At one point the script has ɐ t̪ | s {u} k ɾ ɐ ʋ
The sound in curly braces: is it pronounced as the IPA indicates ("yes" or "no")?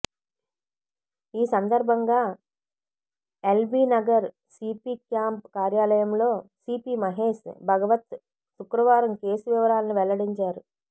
yes